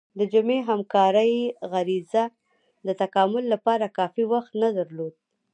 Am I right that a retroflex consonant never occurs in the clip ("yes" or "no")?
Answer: yes